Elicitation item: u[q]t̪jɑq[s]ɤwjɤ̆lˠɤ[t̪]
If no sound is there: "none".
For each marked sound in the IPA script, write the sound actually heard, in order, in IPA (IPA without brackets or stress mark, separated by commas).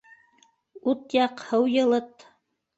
none, h, t̪